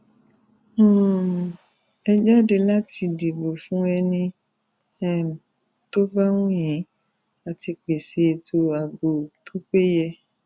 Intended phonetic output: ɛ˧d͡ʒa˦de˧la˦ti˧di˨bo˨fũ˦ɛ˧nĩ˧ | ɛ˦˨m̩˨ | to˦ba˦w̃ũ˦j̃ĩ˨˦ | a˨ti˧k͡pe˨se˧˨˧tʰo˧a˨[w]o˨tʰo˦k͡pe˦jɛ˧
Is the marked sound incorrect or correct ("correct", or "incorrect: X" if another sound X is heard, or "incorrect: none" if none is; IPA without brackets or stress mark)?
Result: incorrect: b